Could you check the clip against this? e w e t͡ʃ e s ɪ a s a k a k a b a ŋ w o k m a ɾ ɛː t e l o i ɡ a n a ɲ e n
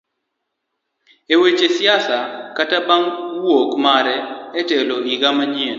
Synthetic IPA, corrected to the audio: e w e t͡ʃ e s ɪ a s a k a t a b a ŋ w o k m a ɾ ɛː t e l o i ɡ a m a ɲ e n

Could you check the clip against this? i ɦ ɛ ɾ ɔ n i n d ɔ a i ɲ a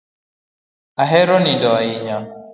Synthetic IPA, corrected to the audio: a ɦ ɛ ɾ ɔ n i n d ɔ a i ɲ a

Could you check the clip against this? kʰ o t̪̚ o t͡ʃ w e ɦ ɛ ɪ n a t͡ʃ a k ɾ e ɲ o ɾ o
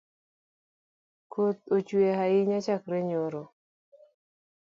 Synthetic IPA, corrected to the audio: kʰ o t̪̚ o t͡ʃ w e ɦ a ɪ ɲ a t͡ʃ a k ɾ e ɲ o ɾ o

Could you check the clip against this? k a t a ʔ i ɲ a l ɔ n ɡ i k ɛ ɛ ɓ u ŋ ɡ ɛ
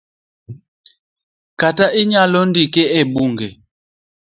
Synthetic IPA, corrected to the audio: k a t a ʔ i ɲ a l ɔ n d i k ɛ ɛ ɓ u ŋ ɡ ɛ

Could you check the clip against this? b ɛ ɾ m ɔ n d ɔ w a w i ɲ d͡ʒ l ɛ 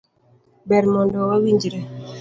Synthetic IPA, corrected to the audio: b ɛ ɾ m ɔ n d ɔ w a w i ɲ d͡ʒ ɾ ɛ

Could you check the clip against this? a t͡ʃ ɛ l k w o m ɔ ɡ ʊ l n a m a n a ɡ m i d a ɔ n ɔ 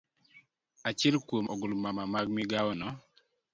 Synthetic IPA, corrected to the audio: a t͡ʃ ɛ l k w o m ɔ ɡ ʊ l m a m a m a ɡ m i ɡ a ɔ n ɔ

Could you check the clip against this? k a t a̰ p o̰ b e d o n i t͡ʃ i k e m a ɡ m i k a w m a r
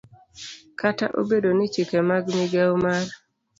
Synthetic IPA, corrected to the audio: k a t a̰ ʔ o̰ b e d o n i t͡ʃ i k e m a ɡ m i ɡ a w m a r

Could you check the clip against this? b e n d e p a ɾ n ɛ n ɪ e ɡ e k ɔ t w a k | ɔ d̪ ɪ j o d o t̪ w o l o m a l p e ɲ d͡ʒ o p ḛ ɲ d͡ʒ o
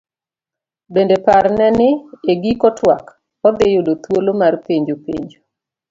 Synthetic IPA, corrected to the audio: b e n d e p a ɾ n ɛ n ɪ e ɡ i k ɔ t w a k | ɔ d̪ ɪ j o d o t̪ w o l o m a r p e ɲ d͡ʒ o p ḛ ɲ d͡ʒ o

